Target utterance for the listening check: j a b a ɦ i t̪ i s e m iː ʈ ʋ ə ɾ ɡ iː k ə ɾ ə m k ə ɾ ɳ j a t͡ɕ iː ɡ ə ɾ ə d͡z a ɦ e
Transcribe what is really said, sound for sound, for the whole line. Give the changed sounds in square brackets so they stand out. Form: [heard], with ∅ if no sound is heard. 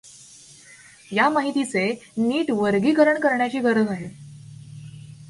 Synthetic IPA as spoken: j a [m] a ɦ i t̪ i [t͡s] e [n] iː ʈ ʋ ə ɾ ɡ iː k ə ɾ ə [ɳ] k ə ɾ ɳ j a t͡ɕ iː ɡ ə ɾ ə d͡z a ɦ e